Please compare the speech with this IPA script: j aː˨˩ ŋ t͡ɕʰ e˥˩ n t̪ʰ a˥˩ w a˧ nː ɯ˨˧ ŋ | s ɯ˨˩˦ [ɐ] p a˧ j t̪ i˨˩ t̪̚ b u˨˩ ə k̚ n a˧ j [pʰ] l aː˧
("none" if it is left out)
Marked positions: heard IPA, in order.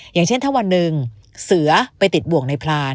ɐ, pʰ

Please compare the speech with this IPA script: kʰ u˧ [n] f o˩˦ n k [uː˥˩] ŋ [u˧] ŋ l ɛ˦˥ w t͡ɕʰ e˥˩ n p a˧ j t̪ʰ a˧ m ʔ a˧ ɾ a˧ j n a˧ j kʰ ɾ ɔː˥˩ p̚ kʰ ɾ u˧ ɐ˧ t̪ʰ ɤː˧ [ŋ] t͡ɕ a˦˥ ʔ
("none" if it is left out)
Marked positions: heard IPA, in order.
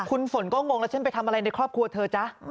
n, ɔː˥˩, o˧, none

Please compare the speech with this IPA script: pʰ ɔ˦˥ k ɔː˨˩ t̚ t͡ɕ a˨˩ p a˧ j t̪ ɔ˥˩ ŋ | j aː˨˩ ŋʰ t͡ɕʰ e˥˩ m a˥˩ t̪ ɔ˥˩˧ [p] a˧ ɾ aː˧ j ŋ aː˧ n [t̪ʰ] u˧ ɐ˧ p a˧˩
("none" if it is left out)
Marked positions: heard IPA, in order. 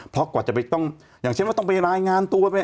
p, t̪

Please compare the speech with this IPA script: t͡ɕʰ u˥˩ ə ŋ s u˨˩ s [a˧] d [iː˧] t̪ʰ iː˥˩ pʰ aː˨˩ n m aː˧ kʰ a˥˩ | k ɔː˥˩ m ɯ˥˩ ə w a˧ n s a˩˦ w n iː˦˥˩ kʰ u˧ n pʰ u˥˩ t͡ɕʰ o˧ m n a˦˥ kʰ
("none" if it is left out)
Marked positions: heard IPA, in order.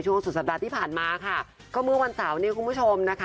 a˨˩, aː˧

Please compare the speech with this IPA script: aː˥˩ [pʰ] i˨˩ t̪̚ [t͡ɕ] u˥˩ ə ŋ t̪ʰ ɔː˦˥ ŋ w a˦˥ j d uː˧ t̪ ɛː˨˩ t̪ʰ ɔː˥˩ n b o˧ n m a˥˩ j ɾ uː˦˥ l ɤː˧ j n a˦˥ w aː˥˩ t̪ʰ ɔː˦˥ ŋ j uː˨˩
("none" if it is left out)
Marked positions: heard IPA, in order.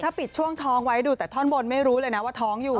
p, t͡ɕʰ

